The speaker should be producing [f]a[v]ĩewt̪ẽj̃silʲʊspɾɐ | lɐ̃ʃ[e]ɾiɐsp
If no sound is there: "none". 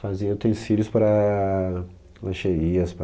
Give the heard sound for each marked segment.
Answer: f, z, e

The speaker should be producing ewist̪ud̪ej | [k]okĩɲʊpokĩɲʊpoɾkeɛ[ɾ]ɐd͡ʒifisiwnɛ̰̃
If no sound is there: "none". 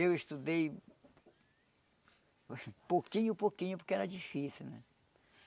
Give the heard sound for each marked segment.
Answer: p, ɾ

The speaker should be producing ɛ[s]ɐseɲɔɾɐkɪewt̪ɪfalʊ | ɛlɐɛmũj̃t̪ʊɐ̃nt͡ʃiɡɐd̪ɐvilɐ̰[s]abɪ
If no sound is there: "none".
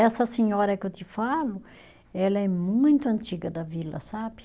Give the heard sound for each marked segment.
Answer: s, s

